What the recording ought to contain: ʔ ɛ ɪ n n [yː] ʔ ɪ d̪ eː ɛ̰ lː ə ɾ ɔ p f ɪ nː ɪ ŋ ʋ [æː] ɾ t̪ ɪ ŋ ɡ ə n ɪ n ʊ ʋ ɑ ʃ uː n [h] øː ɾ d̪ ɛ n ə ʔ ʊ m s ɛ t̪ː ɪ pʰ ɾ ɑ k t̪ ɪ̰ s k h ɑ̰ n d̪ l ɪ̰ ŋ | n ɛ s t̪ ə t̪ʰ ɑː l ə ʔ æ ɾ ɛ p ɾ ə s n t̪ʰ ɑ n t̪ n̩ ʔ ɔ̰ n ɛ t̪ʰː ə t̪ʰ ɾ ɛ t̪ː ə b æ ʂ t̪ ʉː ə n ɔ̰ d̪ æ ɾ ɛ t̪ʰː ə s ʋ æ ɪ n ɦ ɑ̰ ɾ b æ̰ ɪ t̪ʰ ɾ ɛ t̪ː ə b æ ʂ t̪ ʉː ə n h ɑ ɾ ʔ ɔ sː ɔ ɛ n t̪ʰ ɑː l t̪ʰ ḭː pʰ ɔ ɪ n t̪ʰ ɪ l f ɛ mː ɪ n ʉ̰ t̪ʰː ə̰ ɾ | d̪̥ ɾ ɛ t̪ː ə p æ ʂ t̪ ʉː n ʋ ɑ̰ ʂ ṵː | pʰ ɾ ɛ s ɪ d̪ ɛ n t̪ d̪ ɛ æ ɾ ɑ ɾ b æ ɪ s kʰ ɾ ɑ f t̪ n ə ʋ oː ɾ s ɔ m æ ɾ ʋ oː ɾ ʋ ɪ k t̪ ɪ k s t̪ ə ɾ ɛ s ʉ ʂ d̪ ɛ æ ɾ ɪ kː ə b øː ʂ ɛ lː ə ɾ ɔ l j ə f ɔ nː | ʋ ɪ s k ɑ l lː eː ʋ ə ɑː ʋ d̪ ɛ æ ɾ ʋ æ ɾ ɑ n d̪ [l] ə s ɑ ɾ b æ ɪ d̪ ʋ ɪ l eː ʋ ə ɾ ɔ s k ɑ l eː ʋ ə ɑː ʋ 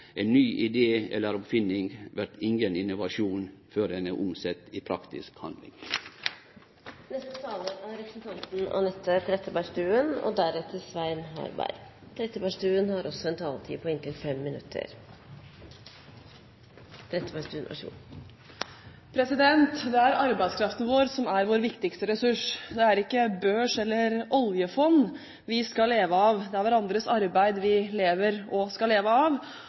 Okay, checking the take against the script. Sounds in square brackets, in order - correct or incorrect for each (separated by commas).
correct, incorrect, incorrect, incorrect